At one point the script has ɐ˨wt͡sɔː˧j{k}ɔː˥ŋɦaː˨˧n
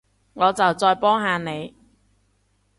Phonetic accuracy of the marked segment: incorrect: p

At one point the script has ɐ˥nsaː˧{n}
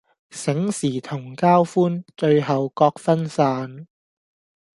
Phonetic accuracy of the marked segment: correct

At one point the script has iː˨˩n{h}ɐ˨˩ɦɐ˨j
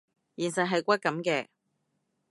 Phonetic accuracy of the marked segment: incorrect: s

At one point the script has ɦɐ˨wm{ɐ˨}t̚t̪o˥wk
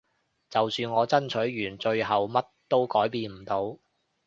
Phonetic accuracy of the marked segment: incorrect: ɐ˥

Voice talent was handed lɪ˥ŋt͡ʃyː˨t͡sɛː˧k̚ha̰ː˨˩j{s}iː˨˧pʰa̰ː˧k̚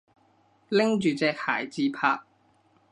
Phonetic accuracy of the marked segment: incorrect: t͡s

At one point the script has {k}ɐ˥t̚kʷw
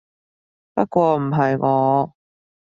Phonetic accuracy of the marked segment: incorrect: p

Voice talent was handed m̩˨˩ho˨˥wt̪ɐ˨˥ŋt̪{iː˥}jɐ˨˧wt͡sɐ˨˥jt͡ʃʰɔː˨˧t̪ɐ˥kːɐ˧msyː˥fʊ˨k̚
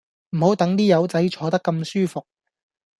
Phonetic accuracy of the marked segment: correct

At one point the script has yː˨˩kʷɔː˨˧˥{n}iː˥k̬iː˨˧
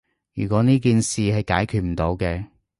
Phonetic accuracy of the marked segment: correct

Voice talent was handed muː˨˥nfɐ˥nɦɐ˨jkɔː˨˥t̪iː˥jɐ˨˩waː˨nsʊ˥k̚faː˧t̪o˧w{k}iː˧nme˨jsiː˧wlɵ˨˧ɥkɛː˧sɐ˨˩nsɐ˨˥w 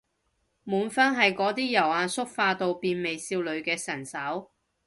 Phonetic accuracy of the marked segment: incorrect: p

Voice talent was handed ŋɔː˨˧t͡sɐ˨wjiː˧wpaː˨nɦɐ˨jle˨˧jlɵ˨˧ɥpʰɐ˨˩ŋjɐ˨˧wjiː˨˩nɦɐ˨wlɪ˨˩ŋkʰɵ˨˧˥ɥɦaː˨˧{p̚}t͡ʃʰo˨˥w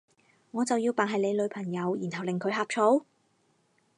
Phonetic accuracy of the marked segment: correct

